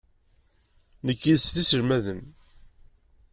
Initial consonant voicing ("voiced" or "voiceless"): voiced